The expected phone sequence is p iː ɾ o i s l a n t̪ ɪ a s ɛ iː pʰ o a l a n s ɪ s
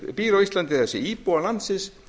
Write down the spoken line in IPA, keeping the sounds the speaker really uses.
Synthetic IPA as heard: p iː ɾ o i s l a n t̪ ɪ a s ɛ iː p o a l a n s ɪ s